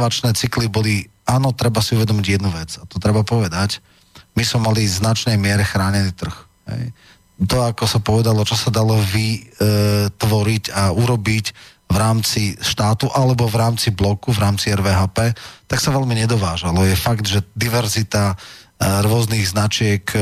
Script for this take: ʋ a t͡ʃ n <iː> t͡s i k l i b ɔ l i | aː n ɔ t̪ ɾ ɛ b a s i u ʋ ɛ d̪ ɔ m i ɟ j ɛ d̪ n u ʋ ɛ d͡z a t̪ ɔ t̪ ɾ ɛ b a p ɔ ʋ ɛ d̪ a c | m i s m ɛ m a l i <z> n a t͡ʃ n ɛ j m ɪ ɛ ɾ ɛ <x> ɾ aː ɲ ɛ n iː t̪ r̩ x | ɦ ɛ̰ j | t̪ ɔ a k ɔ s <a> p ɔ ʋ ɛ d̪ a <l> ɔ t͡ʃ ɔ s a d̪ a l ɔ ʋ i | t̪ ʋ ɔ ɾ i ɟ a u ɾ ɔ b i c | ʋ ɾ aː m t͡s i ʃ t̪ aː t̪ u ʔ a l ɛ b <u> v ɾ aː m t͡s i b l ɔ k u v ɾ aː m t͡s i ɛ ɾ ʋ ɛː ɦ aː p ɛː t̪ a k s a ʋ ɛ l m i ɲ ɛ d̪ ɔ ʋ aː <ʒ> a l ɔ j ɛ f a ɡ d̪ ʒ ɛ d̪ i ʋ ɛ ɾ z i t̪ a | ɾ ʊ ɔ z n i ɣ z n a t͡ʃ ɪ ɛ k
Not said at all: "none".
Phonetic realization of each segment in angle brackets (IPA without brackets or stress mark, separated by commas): ɛː, z, x, a, l, ɔ, ʒ